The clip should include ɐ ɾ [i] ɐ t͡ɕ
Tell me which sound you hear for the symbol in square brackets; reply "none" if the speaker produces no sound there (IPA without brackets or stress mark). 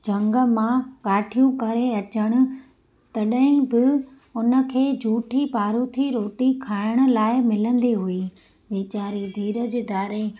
e